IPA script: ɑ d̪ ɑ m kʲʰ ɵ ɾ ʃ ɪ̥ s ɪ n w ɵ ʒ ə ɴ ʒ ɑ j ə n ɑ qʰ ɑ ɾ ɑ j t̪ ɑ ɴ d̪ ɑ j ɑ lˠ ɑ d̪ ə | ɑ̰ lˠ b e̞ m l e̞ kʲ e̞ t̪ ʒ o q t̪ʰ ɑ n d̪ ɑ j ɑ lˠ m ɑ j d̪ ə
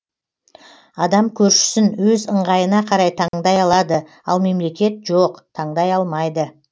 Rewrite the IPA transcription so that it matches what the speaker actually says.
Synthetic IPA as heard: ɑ d̪ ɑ m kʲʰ ɵ ɾ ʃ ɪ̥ s ɪ n w ɵ z ə ɴ ʁ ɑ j ə n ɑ qʰ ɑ ɾ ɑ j t̪ʰ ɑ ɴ d̪ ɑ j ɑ lˠ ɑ d̪ ə | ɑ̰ lˠ m e̞ m l e̞ kʲ e̞ t̪ ʒ o q t̪ʰ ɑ ɴ d̪ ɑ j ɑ lˠ m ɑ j d̪ ə